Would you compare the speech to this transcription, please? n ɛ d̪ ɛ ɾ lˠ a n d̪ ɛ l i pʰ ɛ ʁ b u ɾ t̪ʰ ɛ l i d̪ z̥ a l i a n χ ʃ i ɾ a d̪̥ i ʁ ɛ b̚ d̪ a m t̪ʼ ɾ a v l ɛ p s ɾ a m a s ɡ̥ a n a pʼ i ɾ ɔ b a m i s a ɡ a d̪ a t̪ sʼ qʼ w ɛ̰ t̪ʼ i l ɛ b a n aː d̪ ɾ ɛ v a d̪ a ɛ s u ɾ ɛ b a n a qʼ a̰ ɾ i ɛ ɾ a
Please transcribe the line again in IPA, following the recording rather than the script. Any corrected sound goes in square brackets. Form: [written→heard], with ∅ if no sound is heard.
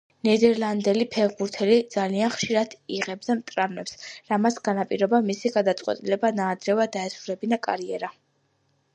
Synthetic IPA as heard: n ɛ d̪ ɛ ɾ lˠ a n d̪ ɛ l i pʰ ɛ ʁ b u ɾ t̪ʰ ɛ l i d̪ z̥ a l i a n χ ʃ i ɾ a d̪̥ i ʁ ɛ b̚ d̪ a m t̪ʼ ɾ a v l ɛ p s ɾ a m a s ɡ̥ a n a pʼ i ɾ ɔ b a m i s [a→i] ɡ a d̪ a t̪ sʼ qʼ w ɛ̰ t̪ʼ i l ɛ b a n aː d̪ ɾ ɛ v a d̪ a ɛ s u ɾ ɛ b [a→i] n a [qʼ→kʼ] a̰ ɾ i ɛ ɾ a